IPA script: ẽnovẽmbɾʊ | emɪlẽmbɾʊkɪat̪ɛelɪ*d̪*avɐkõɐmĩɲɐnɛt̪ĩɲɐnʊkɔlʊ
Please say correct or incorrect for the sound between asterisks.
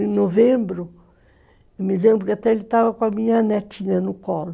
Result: incorrect